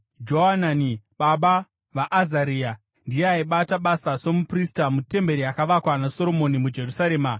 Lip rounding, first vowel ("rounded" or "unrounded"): rounded